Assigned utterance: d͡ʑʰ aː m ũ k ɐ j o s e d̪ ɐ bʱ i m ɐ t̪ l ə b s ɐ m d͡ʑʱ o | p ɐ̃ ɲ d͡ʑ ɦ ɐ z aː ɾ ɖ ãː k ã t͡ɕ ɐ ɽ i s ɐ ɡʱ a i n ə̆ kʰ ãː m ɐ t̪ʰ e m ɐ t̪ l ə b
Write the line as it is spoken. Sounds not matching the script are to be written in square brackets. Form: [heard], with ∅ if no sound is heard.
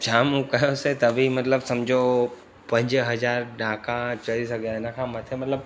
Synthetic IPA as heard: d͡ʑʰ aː m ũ k ɐ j o s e [t̪] ɐ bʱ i m ɐ t̪ l ə b s ɐ m d͡ʑʱ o | p ɐ̃ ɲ d͡ʑ ɦ ɐ z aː ɾ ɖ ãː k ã t͡ɕ ɐ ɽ i s ɐ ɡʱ a [ɪ] n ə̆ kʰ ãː m ɐ t̪ʰ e m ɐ t̪ l ə b